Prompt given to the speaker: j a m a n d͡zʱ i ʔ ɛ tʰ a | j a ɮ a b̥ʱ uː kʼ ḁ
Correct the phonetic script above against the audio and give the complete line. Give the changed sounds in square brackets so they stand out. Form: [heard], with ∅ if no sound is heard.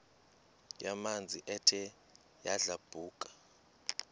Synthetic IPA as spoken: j a m a n d͡zʱ i ʔ ɛ tʰ [ɛ] | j a ɮ a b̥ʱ uː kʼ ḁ